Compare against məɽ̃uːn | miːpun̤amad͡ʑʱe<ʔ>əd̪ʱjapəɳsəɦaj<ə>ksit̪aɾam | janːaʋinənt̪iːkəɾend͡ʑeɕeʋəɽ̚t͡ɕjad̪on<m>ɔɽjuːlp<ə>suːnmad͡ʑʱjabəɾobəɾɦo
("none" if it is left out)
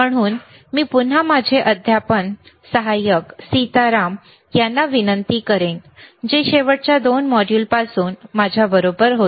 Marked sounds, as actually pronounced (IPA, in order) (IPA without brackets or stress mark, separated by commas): ʔ, ə, m, a